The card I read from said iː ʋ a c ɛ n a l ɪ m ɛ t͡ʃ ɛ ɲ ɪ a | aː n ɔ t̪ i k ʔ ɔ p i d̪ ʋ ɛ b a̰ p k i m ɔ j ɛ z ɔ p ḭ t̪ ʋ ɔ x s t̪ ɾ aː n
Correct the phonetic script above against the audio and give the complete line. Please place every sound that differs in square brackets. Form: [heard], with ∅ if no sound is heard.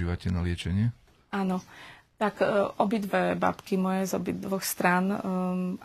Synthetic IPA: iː ʋ a c ɛ n a l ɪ [∅] ɛ t͡ʃ ɛ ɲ ɪ [ɛ] | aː n ɔ t̪ [a] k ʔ ɔ [b] i d̪ ʋ ɛ b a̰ p k i m ɔ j ɛ z ɔ [b] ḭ [d̪] ʋ ɔ x s t̪ ɾ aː n